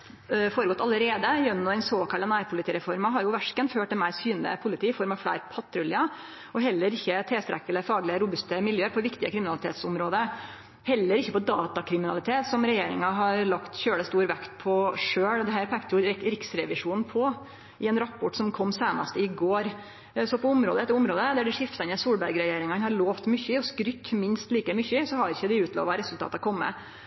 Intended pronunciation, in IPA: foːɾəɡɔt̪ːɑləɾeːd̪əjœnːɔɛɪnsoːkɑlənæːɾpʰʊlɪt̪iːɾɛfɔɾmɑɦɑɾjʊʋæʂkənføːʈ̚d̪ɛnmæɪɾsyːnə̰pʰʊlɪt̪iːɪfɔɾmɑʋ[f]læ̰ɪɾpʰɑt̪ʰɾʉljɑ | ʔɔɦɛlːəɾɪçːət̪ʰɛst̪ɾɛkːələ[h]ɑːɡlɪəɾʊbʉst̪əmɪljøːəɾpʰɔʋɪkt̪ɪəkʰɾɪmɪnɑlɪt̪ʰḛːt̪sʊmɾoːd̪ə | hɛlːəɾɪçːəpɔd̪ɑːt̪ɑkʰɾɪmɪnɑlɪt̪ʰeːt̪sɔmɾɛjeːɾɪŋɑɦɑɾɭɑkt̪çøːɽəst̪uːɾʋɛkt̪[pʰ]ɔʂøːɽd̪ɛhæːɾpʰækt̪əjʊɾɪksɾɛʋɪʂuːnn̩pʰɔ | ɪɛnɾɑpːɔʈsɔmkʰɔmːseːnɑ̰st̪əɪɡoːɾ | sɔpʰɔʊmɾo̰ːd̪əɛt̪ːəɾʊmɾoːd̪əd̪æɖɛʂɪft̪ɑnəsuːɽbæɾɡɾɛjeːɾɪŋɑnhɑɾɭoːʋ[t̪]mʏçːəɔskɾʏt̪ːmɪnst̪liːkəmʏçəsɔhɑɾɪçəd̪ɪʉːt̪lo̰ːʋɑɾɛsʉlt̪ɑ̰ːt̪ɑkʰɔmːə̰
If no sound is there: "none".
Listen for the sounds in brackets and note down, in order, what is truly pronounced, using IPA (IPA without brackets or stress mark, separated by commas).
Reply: f, f, pʰ, t̪